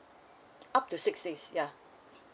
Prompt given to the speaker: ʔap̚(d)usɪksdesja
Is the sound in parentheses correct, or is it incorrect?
incorrect: t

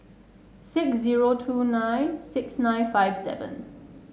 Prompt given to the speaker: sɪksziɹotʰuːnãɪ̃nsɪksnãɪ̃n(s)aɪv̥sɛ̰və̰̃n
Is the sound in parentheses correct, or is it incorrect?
incorrect: f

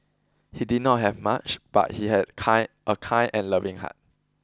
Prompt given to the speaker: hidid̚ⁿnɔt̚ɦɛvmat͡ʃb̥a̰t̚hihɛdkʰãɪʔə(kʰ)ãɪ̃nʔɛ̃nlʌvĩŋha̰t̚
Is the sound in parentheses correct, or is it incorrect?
correct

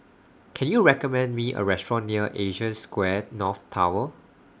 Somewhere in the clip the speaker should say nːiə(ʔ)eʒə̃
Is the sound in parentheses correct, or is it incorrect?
correct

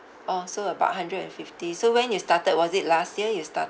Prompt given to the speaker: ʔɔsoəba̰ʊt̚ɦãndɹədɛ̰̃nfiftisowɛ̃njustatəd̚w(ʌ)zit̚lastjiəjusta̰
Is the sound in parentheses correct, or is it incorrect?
incorrect: ɔ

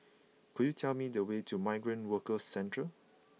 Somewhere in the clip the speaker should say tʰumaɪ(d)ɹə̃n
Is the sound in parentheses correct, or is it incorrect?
incorrect: ɡ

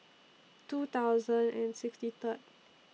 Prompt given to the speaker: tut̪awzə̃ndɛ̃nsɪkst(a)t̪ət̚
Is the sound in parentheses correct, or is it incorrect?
incorrect: i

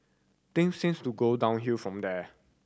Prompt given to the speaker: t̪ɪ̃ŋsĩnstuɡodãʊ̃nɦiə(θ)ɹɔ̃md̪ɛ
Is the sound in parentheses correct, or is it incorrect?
incorrect: f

